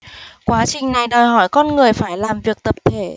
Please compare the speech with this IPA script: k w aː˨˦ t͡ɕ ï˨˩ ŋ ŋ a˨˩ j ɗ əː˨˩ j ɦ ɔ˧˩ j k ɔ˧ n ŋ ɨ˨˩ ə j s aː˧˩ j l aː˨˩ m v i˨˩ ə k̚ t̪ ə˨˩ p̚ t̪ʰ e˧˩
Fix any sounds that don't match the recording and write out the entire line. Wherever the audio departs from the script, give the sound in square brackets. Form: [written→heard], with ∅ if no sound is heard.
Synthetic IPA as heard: k w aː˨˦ t͡ɕ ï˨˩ ŋ [ŋ→n] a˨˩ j ɗ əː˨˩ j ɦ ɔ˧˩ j k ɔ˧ n ŋ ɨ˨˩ ə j [s→f] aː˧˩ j l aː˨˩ m v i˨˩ ə k̚ t̪ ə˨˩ p̚ t̪ʰ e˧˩